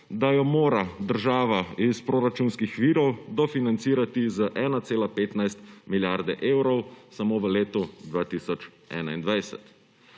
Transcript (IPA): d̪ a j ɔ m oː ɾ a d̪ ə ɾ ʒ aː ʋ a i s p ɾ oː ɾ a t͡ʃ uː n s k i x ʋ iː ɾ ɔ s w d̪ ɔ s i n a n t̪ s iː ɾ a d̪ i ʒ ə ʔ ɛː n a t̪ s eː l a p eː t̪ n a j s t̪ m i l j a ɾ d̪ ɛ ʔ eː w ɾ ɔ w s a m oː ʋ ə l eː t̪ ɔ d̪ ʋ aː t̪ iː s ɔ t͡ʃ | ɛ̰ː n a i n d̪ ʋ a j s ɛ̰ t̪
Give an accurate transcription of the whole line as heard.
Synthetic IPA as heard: d̪ a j ɔ m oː ɾ a d̪ ə ɾ ʒ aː ʋ a i s p ɾ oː ɾ a t͡ʃ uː n s k i x ʋ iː ɾ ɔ w d̪ ɔ f i n a n t̪ s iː ɾ a t̪ i z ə ʔ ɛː n a t̪ s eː l a p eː t̪ n a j s t̪ m i l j a ɾ d̪ ɛ ʔ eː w ɾ ɔ w s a m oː ʋ ə l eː t̪ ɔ d̪ ʋ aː t̪ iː s ɔ t͡ʃ | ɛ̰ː n a i n d̪ ʋ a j s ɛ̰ t̪